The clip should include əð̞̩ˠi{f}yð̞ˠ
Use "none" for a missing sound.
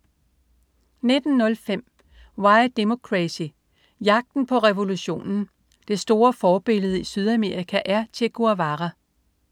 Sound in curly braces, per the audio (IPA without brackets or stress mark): s